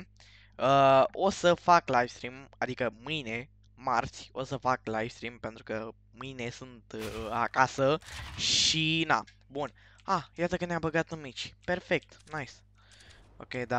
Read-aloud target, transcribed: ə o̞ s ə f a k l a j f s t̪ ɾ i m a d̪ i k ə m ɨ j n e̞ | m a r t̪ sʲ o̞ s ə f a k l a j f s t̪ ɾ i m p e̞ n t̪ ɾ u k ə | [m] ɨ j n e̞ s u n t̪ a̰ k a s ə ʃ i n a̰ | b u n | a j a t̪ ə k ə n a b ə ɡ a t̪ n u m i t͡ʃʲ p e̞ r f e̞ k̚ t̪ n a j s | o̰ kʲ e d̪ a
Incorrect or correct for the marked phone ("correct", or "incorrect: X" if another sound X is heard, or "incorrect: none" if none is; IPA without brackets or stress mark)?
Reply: correct